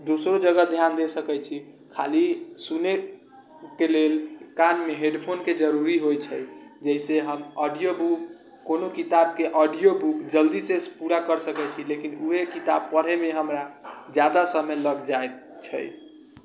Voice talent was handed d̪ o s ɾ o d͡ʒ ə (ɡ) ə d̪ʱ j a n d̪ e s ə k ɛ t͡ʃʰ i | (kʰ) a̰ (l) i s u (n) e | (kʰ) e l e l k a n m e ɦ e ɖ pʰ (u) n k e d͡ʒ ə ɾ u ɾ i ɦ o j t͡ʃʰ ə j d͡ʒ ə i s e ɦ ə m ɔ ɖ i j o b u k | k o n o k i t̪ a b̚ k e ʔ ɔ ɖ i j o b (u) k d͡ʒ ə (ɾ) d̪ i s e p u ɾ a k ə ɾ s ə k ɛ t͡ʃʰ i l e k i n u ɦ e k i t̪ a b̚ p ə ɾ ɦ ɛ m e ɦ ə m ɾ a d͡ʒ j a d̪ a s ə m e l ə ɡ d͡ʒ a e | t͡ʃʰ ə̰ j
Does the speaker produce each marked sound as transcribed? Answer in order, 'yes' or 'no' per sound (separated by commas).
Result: yes, yes, yes, yes, no, no, yes, no